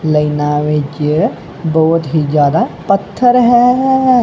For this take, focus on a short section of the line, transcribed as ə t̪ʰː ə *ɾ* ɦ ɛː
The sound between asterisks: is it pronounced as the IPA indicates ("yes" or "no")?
yes